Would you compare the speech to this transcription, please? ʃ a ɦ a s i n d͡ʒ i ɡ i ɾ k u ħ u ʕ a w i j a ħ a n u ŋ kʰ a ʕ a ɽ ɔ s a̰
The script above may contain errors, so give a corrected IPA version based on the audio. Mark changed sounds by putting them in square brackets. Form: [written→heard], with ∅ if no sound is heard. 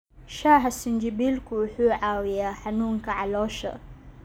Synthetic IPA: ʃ a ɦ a s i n d͡ʒ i [ɡ→b] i [ɾ→l] k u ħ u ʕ a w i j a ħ a n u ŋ [kʰ→k] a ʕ a [ɽ→l] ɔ [s→ʃ] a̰